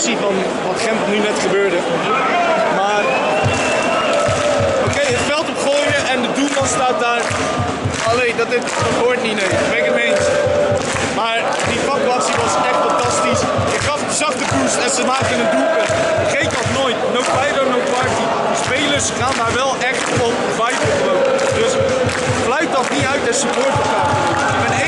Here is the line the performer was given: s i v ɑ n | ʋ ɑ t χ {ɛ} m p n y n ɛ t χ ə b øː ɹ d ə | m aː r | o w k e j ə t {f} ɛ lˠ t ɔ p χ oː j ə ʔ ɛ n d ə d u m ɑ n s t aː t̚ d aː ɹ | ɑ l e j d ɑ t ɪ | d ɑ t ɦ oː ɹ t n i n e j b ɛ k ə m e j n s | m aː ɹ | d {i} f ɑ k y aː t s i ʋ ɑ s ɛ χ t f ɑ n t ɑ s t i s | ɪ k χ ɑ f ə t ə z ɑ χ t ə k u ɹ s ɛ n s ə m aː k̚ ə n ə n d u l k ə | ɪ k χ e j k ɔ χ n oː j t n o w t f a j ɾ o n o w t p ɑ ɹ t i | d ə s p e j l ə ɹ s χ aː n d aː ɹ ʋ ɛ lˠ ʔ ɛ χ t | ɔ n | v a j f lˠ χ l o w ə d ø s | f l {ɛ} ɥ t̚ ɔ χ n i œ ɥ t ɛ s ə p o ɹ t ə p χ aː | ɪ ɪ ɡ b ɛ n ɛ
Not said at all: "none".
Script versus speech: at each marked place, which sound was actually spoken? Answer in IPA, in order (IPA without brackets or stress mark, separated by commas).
ɛ, f, i, œ